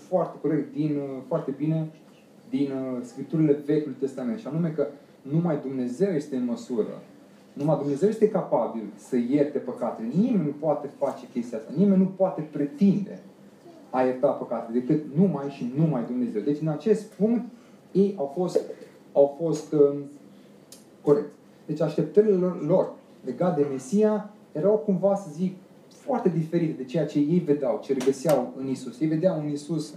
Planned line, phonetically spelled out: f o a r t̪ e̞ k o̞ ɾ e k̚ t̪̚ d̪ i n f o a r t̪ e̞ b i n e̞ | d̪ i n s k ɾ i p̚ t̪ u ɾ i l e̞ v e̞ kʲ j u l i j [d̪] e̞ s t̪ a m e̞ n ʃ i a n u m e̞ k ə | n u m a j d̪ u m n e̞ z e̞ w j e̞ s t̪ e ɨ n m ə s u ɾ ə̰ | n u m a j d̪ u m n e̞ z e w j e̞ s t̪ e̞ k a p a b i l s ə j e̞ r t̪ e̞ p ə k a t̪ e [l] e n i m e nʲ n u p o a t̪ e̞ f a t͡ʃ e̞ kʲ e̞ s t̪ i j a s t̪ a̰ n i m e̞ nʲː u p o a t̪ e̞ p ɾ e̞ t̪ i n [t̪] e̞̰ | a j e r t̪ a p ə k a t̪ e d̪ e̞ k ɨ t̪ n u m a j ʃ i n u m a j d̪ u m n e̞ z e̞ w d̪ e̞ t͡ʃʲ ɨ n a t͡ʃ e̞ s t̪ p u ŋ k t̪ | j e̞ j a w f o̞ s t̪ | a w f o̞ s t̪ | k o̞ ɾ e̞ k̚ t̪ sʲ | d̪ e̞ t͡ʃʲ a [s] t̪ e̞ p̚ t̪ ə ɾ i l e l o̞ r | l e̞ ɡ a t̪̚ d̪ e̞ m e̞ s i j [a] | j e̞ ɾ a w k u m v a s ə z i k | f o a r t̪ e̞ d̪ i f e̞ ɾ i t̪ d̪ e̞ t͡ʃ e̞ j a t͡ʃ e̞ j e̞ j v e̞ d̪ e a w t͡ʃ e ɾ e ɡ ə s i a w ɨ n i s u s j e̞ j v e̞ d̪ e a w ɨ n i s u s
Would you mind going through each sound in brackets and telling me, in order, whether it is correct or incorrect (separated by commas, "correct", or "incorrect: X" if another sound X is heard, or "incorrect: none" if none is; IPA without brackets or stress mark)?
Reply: incorrect: t̪, correct, incorrect: d̪, incorrect: ʃ, correct